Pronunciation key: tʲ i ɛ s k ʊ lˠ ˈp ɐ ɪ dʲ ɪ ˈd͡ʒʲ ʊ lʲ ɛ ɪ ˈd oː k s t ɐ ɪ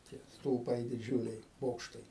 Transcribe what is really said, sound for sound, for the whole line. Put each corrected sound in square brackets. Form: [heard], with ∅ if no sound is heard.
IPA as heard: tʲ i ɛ s [t] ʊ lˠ ˈp ɐ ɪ dʲ ɪ ˈd͡ʒʲ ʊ lʲ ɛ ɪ [ˈb] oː k [ʃ] t ɐ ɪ